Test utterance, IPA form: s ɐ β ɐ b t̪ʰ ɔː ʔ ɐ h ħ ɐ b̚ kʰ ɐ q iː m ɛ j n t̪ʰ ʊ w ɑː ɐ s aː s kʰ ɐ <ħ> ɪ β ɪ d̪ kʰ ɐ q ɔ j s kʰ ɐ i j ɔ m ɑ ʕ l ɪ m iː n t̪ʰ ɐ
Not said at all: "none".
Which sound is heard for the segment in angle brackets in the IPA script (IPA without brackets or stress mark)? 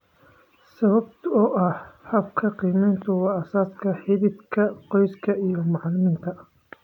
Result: ħ